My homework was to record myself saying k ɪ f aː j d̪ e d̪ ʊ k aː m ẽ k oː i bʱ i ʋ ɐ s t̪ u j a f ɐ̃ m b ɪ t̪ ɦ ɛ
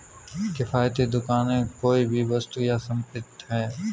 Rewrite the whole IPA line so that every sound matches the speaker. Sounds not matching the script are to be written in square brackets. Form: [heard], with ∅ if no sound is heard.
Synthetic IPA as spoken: k ɪ f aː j [t̪] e d̪ ʊ k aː [n] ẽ k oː i bʱ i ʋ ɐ s t̪ u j a [s] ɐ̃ m [p] ɪ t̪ ɦ [ɛː]